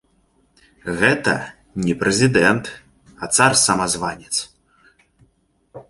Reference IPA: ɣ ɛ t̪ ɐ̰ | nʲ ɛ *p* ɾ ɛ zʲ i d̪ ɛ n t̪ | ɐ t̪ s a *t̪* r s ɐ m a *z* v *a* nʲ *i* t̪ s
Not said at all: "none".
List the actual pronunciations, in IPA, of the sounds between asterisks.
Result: p, none, z, a, ɛ

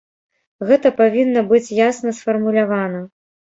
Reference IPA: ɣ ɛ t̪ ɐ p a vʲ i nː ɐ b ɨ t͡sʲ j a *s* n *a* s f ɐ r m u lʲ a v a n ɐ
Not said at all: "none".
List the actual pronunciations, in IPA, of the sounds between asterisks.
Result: s, ɐ

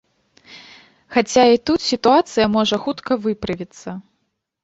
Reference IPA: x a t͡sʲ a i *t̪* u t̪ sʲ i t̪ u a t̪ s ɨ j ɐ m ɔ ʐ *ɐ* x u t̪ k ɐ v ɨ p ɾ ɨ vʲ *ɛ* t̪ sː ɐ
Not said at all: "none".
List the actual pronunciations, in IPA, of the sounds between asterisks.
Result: t̪, ɐ, i

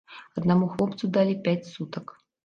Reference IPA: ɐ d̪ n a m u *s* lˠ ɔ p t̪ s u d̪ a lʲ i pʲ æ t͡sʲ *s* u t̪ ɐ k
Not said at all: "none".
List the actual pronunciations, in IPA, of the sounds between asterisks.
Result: x, s

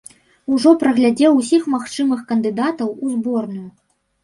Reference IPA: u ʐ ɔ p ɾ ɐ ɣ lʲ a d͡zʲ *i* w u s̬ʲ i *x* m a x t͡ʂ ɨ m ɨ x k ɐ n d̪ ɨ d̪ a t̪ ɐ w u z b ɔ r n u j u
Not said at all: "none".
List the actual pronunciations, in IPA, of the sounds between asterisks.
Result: ɛ, x

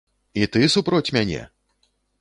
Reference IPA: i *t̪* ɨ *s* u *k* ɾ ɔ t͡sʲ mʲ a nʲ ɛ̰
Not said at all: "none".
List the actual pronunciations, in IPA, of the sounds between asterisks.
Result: t̪, s, p

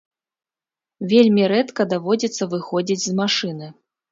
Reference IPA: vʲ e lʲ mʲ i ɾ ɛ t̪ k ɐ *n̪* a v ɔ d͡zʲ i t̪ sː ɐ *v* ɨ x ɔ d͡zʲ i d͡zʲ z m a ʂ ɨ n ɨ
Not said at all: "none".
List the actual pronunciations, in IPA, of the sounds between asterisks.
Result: d̪, v

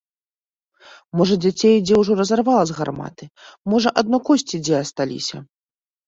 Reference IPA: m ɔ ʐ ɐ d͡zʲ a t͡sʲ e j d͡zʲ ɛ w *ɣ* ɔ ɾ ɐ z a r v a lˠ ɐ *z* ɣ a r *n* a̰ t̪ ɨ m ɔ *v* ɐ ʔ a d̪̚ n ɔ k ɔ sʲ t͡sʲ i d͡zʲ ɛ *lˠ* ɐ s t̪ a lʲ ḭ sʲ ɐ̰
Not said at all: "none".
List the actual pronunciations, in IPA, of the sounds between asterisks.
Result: ʐ, z, m, ʐ, none

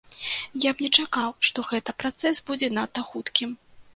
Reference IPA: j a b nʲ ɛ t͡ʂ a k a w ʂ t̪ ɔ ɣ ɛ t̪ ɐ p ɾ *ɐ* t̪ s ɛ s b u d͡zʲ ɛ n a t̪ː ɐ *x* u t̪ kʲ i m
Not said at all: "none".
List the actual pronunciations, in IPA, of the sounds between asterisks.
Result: a, x

